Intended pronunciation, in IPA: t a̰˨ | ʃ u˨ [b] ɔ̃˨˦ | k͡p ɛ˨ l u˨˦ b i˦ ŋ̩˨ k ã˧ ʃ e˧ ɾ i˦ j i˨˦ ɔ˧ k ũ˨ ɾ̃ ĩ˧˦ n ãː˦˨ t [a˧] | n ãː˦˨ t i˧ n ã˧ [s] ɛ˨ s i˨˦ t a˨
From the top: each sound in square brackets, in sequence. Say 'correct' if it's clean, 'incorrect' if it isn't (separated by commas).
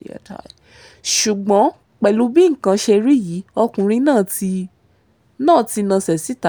incorrect, incorrect, correct